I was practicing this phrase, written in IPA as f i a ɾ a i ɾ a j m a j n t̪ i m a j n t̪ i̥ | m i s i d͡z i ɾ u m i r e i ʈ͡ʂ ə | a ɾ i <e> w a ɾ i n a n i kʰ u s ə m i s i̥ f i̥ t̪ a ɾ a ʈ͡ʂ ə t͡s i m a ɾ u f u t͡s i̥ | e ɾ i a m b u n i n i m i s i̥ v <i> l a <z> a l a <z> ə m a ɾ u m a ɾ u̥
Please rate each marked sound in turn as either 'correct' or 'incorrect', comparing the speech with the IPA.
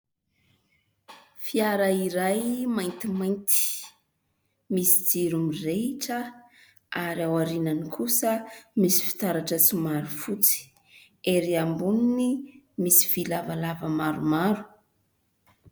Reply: incorrect: a, correct, incorrect: v, incorrect: v

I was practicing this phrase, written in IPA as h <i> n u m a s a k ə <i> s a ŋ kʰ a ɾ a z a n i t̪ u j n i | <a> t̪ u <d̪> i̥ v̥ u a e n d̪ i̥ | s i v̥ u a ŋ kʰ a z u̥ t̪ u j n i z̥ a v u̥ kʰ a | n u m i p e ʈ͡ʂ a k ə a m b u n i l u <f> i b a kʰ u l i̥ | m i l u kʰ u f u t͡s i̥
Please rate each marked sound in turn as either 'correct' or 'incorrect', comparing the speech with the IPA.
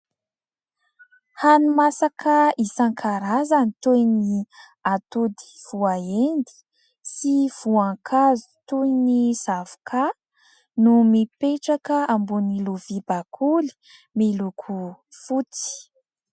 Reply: incorrect: a, correct, correct, correct, incorrect: v

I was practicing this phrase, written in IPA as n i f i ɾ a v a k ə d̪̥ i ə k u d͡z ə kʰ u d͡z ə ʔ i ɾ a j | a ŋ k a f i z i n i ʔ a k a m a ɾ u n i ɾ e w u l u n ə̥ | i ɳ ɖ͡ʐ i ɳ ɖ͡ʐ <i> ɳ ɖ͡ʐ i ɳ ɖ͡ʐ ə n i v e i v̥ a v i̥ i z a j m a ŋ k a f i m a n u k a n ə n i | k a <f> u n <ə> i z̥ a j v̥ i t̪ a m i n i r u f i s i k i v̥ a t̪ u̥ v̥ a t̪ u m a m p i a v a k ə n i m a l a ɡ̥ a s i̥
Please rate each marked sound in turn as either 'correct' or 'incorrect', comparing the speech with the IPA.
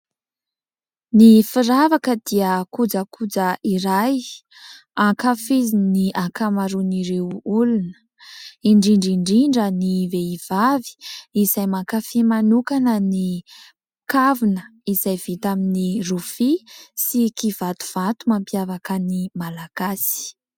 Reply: correct, incorrect: v, correct

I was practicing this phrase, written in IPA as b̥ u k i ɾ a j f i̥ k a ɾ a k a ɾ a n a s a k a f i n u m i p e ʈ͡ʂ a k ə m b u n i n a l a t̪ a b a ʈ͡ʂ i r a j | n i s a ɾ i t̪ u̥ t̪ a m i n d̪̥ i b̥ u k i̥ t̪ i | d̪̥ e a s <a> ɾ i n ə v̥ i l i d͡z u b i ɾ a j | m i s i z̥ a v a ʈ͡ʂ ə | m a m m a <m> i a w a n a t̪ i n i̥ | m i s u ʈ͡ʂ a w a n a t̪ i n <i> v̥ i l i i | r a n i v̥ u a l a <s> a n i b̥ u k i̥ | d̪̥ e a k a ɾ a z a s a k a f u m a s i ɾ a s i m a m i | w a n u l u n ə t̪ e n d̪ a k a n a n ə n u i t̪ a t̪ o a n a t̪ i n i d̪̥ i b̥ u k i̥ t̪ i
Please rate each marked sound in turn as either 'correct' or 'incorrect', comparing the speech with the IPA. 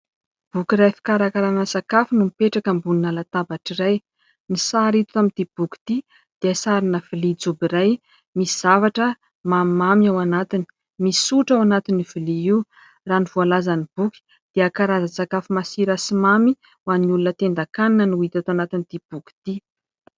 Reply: correct, correct, correct, incorrect: z

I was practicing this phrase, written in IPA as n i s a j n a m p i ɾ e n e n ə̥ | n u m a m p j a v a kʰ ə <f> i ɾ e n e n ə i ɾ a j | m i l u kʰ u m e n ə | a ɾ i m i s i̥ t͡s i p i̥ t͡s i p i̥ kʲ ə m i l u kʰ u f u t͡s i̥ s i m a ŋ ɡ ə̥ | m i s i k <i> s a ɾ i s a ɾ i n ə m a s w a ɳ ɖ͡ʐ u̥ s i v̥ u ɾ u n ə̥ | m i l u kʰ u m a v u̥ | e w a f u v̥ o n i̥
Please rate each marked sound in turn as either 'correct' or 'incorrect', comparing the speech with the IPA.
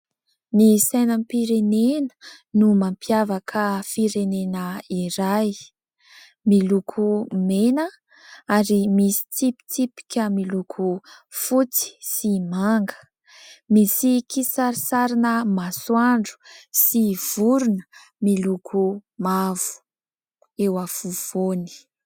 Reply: correct, correct

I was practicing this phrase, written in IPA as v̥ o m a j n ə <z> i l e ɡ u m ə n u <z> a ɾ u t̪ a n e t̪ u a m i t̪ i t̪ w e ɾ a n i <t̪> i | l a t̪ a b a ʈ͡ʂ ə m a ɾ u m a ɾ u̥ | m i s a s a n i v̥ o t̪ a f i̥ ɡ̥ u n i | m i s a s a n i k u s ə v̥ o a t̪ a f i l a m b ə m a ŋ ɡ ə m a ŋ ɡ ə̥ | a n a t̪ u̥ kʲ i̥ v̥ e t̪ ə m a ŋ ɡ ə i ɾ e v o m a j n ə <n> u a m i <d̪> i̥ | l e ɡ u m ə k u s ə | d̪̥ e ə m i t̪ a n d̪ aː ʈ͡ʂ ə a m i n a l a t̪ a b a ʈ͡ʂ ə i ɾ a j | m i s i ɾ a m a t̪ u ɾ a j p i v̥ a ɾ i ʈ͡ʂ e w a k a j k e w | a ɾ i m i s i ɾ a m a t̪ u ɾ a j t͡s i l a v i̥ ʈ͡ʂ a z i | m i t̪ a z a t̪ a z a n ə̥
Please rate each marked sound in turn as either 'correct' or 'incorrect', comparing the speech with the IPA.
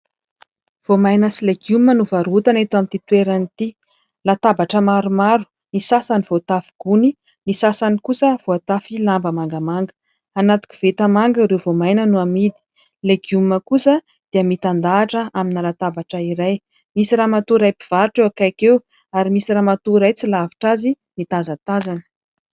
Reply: incorrect: s, incorrect: v, correct, correct, correct

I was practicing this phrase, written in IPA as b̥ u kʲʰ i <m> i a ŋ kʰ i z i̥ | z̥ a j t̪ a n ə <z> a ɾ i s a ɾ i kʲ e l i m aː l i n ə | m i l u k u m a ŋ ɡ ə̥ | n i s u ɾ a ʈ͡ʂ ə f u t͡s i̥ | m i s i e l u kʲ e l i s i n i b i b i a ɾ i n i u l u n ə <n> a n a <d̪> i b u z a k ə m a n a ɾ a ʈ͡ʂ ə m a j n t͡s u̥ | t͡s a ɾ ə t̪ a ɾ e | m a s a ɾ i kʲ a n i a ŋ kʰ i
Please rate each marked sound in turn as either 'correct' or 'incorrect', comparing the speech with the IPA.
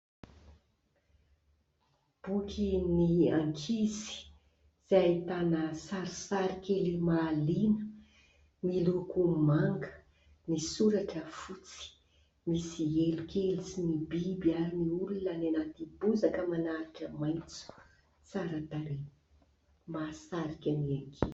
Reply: incorrect: n, incorrect: s, correct, incorrect: t̪

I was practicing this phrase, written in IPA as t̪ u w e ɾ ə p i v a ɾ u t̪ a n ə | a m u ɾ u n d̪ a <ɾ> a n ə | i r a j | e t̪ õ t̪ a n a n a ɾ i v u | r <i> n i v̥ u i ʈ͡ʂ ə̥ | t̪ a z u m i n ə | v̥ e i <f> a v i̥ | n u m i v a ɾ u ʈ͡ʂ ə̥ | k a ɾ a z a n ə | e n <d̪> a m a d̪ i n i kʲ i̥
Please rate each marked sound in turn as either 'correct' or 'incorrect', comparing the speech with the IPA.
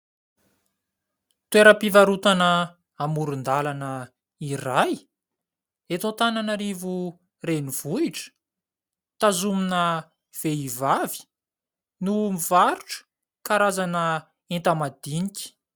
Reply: incorrect: l, incorrect: e, incorrect: v, incorrect: t̪

